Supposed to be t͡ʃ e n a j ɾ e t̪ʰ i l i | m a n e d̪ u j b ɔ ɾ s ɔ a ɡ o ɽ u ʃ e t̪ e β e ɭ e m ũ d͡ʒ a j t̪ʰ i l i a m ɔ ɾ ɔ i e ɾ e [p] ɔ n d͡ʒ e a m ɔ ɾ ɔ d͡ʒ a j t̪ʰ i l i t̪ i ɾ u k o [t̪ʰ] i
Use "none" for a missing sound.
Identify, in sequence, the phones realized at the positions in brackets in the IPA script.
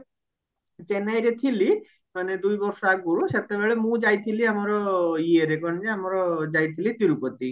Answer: k, t̪

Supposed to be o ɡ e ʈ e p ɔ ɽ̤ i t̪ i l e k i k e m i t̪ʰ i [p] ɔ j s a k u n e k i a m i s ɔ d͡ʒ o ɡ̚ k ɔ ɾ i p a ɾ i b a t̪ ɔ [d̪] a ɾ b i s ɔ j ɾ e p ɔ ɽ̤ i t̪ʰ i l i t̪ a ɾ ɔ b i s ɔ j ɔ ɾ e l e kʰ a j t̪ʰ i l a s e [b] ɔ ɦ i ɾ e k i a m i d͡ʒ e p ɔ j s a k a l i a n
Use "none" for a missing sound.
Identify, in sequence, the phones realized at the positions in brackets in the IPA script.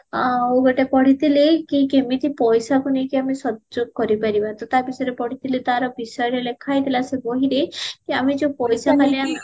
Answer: p, t̪, b

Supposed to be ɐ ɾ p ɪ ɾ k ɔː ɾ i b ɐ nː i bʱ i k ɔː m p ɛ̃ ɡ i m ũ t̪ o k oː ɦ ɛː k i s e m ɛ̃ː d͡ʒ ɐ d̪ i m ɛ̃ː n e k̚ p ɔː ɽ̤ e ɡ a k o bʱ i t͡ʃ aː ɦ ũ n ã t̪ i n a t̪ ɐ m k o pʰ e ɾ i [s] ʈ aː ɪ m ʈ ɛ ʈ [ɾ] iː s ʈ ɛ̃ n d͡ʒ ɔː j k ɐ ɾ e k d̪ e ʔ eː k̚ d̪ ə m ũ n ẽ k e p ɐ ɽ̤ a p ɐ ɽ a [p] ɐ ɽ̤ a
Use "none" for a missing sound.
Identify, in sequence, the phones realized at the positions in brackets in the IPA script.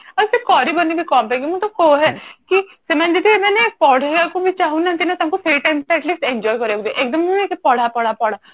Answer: none, l, p

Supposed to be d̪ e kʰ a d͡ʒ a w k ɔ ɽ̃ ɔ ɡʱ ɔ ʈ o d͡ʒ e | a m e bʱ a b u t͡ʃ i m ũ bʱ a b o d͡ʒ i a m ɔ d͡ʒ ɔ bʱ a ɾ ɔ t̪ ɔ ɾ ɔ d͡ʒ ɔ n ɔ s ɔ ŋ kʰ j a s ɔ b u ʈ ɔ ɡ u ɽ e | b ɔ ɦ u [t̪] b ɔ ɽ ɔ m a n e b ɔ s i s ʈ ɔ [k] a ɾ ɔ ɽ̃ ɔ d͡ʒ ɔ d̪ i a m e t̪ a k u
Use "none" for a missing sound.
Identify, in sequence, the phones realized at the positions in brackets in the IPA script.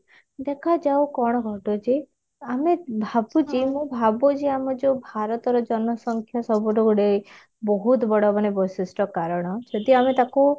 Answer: t̪, k

